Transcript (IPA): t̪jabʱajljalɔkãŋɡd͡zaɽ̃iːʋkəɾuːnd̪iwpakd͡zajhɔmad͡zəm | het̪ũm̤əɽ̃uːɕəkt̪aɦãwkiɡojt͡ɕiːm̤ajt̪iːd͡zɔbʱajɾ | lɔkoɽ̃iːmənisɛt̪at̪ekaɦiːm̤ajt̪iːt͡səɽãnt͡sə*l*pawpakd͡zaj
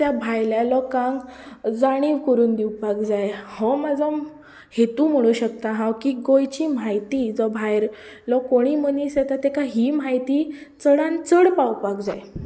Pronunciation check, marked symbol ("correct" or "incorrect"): incorrect